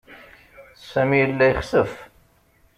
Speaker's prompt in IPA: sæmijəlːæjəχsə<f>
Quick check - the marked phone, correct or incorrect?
correct